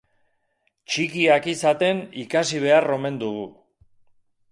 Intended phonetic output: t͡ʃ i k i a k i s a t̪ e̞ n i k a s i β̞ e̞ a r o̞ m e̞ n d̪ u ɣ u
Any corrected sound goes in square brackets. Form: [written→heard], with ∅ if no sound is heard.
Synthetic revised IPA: t͡ʃ i k i a k i s a t̪ e̞ n i k a s i β̞ e̞ a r o̞ m e̞ n d̪ u ɣ u